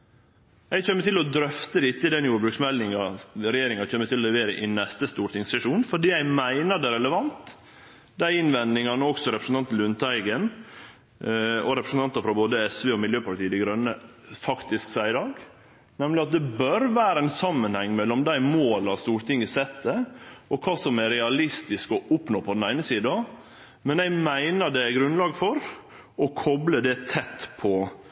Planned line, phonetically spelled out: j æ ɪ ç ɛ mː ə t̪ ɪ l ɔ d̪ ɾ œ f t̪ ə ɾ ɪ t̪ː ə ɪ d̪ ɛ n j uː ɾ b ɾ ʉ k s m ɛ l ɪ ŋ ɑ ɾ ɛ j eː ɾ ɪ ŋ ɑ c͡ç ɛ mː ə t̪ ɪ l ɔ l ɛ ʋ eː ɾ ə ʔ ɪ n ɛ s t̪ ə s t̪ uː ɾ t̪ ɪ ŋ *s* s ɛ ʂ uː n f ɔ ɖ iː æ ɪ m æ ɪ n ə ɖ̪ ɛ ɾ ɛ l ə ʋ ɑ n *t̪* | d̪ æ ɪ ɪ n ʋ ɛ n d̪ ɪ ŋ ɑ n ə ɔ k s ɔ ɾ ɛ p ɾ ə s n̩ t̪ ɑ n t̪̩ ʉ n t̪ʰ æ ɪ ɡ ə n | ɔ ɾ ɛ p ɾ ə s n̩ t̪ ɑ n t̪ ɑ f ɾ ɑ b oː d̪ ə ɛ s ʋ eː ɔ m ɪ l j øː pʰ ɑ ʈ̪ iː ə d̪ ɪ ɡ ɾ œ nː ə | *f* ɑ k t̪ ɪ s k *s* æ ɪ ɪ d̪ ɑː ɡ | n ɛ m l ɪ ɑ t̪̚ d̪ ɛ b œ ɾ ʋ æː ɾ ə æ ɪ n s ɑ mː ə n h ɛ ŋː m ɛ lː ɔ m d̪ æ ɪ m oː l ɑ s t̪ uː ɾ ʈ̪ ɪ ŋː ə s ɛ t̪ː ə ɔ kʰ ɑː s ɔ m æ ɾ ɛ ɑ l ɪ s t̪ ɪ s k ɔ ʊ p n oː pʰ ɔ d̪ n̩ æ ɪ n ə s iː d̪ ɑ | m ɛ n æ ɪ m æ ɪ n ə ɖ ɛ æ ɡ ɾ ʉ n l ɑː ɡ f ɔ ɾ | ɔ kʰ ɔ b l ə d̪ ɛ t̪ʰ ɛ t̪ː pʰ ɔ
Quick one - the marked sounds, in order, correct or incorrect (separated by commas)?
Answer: correct, correct, correct, correct